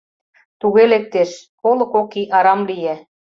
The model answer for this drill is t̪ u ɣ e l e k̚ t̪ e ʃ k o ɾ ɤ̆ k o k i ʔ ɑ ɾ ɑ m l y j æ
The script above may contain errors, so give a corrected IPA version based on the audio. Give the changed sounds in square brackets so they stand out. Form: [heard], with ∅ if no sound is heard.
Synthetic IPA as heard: t̪ u ɣ e l e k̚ t̪ e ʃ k o [l] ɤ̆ k o k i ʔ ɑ ɾ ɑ m l [i] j æ